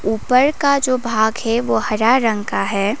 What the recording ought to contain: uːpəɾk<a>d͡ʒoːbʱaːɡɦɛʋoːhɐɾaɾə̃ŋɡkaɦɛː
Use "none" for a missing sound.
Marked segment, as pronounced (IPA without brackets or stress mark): a